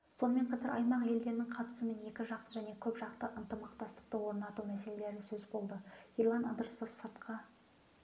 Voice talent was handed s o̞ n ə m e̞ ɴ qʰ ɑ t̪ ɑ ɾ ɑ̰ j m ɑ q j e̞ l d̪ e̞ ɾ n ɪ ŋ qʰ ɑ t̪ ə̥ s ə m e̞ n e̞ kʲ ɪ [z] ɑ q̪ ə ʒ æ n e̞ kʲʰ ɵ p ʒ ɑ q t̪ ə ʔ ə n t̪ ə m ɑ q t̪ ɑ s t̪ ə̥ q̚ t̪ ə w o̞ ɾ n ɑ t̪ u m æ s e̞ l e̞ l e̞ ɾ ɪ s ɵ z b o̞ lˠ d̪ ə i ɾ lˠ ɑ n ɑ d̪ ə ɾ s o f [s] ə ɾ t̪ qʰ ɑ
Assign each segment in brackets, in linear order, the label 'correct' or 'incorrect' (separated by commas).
incorrect, correct